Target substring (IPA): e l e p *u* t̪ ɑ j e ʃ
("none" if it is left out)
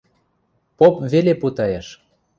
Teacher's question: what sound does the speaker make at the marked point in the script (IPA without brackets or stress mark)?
u